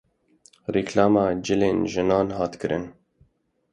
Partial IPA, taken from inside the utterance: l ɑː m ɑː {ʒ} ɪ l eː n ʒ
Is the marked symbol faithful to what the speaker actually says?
no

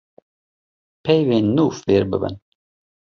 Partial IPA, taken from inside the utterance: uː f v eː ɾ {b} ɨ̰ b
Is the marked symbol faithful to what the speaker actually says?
yes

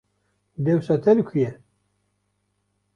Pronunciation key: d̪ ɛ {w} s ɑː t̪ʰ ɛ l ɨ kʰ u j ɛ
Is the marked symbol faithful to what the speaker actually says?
yes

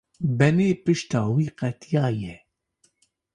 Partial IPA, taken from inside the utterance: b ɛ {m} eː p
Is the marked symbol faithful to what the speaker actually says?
no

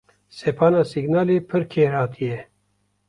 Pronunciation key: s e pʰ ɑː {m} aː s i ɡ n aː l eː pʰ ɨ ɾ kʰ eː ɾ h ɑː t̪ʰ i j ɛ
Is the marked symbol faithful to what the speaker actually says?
no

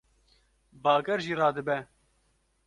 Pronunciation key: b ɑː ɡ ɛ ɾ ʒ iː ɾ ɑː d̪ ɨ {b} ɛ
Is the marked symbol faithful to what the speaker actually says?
yes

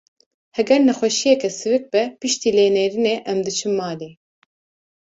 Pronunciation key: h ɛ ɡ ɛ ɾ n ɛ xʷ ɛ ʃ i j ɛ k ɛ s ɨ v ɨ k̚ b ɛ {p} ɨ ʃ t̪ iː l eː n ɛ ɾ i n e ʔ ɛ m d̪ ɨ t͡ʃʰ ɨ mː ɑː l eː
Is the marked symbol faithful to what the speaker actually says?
yes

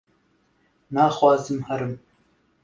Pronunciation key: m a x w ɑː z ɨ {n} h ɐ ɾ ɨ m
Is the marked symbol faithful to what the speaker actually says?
no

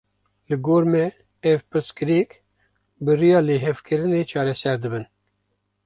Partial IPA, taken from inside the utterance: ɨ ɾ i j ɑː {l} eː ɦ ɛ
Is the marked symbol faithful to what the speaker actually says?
yes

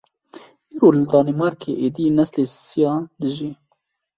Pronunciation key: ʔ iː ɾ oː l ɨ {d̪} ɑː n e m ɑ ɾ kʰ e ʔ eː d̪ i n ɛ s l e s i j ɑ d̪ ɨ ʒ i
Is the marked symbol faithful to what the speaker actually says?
yes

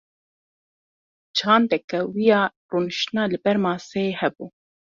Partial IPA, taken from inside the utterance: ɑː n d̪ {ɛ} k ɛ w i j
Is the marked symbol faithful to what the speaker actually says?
yes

